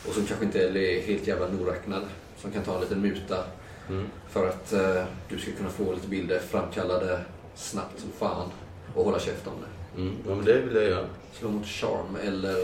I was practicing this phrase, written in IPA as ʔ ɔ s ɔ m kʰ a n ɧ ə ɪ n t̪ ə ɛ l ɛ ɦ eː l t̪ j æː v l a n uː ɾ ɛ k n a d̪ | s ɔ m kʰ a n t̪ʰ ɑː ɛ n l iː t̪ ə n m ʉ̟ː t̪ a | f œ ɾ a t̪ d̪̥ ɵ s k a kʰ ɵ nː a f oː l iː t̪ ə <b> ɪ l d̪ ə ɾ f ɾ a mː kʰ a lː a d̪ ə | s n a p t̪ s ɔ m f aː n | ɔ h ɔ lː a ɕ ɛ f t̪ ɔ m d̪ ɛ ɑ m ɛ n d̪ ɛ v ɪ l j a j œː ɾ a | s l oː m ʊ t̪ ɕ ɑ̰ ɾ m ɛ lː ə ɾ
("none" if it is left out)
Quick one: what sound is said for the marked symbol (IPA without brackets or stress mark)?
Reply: b